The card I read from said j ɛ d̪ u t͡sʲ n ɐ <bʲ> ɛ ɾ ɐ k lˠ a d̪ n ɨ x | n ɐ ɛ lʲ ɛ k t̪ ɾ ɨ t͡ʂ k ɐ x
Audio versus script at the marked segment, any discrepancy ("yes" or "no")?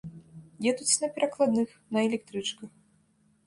yes